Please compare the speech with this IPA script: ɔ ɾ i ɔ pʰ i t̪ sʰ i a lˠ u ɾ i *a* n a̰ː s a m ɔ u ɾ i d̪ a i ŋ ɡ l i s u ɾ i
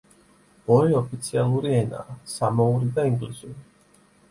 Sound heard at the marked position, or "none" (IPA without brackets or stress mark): ɛ